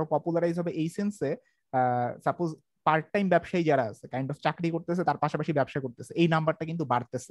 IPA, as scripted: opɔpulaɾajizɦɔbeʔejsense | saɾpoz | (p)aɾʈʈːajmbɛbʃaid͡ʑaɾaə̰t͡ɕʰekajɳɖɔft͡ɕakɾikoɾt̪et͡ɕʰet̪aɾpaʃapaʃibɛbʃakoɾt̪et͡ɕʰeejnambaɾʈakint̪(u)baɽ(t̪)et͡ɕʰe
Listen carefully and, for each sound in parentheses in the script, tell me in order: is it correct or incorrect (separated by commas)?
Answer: correct, correct, correct